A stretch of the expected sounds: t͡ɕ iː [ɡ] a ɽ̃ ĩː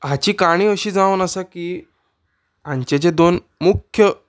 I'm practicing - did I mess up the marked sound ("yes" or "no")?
yes